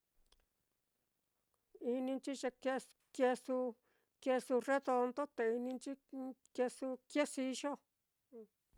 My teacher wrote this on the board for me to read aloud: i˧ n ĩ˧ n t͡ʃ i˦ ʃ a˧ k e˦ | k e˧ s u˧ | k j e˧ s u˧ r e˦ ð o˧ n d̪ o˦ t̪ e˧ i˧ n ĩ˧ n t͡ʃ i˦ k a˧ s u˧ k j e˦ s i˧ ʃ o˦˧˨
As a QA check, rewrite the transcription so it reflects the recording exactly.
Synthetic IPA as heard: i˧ n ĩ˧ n t͡ʃ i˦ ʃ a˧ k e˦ | k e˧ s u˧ | k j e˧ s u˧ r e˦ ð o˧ n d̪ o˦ t̪ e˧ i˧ n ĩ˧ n t͡ʃ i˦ k e˧ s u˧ k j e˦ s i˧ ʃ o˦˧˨